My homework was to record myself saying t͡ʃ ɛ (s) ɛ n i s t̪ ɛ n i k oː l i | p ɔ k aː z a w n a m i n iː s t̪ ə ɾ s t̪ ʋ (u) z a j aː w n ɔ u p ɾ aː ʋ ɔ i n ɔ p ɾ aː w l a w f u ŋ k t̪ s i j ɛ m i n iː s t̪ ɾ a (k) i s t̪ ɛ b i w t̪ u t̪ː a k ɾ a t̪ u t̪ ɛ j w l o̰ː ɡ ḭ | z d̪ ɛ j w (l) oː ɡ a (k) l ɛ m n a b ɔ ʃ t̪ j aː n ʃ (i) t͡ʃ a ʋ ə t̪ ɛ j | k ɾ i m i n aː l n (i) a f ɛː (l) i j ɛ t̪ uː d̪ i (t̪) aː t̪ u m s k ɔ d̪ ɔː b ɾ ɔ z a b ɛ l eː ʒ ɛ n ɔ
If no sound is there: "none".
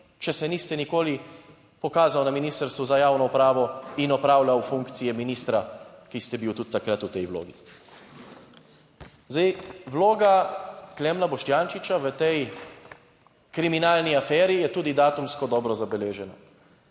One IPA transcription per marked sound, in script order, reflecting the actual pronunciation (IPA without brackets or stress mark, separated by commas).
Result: s, u, k, l, k, i, i, ɾ, d̪